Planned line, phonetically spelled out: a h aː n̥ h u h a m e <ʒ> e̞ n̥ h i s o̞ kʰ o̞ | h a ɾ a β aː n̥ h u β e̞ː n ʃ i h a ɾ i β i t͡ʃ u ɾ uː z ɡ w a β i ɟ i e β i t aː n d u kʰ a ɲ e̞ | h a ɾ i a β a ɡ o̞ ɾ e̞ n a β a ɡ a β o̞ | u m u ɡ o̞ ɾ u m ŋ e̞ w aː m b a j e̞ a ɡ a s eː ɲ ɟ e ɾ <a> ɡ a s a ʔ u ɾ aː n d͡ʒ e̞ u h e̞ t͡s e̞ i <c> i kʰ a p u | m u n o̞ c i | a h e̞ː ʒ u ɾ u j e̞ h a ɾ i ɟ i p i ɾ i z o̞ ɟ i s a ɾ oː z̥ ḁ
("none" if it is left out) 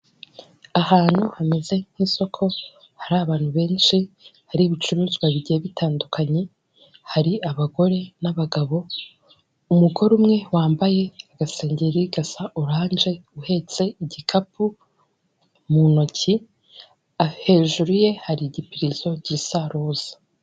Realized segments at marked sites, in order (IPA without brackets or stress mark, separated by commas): z, i, ɟ